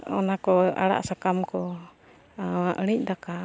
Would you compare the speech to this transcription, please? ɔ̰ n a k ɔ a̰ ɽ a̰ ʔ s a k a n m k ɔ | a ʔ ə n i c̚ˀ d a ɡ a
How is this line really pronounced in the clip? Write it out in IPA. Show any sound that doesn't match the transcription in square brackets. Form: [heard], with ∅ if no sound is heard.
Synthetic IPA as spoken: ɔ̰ n a k ɔ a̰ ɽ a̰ ʔ s a k a [∅] m k ɔ | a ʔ ə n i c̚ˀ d a [k] a

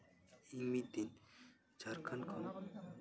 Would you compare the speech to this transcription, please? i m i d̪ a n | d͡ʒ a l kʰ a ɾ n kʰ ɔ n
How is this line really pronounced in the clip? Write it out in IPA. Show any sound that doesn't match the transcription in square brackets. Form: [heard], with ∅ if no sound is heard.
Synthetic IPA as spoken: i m i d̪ [i] n | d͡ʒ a [ɾ] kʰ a [∅] n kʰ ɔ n

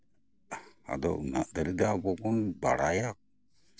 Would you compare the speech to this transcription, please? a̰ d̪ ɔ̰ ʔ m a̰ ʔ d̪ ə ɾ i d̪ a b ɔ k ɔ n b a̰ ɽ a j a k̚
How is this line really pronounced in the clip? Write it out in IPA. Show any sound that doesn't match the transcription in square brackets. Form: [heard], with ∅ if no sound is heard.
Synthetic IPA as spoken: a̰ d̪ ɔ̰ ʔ [n] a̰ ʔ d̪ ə ɾ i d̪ a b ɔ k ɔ n b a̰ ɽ a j a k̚

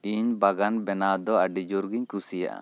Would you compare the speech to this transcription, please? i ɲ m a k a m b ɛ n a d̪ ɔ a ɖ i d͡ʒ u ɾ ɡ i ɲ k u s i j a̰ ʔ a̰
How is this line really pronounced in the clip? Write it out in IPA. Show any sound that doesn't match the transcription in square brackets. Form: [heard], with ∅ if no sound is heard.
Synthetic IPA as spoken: i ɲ [b] a [ɡ] a [n] b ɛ n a d̪ ɔ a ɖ i d͡ʒ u ɾ ɡ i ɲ k u s i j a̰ ʔ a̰

